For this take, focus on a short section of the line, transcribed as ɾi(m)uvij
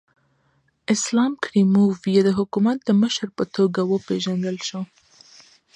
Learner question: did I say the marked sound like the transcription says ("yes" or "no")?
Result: yes